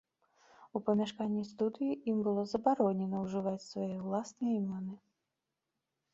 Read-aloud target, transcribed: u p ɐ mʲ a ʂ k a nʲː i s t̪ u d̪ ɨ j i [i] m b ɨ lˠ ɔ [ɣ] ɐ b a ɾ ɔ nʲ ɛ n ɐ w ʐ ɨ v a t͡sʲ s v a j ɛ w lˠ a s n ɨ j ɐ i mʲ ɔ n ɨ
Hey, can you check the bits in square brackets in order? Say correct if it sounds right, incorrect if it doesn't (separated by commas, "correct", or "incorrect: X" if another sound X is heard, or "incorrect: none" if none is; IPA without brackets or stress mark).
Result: correct, incorrect: z